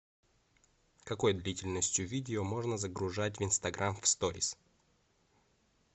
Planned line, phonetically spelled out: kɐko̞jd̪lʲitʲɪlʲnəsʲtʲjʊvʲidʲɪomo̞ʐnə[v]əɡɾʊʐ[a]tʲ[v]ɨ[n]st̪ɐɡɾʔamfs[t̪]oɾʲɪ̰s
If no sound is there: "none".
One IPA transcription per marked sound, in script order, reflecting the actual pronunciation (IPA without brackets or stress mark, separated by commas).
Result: z, a, v, n, t̪